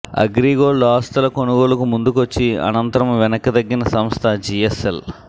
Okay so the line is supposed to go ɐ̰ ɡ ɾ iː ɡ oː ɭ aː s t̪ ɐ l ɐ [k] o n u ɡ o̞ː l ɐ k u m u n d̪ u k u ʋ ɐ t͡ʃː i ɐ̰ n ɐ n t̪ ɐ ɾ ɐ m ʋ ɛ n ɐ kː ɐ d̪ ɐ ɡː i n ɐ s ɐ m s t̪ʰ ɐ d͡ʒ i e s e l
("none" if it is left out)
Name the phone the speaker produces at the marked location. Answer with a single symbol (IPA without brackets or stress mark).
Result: k